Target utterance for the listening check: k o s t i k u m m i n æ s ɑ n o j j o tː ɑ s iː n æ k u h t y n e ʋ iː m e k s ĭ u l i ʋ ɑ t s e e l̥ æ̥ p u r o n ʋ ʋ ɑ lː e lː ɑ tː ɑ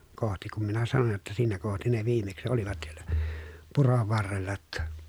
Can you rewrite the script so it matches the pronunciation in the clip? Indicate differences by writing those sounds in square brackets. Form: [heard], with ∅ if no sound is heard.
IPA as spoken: k o [h] t i k u m m i n æ s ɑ n o j j o tː ɑ s iː n æ k [o] h t [i] n e ʋ iː m e k s ĭ [o] l i ʋ ɑ t s [i] e l̥ æ̥ p u r o [∅] ʋ ʋ ɑ [rː] e lː ɑ tː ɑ